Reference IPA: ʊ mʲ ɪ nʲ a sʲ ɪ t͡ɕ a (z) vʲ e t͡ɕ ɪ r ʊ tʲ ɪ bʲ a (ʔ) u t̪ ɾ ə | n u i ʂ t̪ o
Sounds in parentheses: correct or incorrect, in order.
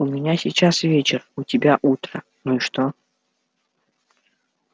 incorrect: s, correct

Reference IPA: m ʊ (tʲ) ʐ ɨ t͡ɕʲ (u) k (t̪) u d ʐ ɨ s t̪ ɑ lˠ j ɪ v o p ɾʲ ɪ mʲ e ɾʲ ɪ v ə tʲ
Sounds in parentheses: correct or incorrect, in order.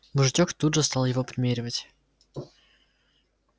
incorrect: none, incorrect: o, correct

